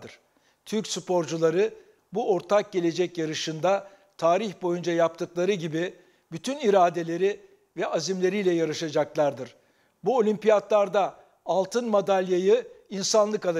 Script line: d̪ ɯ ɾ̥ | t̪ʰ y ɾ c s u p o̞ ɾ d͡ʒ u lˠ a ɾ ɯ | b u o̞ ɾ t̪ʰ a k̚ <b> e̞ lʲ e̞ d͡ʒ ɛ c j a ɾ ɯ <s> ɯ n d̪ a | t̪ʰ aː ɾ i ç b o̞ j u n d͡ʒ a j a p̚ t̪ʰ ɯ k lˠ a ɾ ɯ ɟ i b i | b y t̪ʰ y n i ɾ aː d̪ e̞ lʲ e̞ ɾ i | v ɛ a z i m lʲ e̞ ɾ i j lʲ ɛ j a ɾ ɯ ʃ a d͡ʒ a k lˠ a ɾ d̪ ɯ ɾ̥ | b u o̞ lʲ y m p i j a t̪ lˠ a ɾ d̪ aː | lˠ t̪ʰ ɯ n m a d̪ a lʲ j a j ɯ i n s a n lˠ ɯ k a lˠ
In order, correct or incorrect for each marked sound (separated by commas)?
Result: incorrect, incorrect